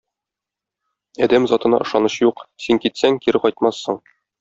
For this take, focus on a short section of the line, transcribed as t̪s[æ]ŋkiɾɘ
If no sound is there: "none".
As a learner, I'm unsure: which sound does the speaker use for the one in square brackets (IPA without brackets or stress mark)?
æ